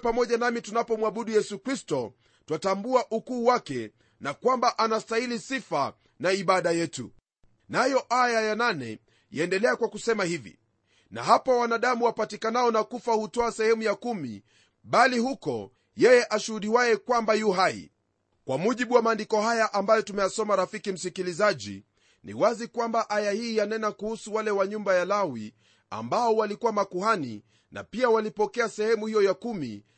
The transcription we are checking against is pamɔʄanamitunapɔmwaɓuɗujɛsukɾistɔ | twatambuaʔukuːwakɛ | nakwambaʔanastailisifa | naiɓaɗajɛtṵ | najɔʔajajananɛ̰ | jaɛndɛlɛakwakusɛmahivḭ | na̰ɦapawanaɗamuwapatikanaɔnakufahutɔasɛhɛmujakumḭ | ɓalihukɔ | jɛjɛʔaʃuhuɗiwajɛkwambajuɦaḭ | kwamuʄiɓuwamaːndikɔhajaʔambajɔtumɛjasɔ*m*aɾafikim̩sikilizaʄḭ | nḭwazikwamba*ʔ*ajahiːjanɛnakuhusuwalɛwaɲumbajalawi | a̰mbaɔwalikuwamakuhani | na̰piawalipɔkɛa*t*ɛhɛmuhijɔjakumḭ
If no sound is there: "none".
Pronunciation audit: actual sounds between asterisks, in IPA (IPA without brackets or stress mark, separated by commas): m, ʔ, s